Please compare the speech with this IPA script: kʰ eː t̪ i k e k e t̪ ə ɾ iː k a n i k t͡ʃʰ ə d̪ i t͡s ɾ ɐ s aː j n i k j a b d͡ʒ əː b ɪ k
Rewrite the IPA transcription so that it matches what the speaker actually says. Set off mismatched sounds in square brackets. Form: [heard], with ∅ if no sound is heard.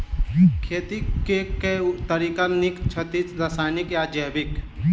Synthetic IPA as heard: kʰ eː t̪ i k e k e t̪ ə ɾ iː k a n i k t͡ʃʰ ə [t̪] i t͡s ɾ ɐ s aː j n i k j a [∅] d͡ʒ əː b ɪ k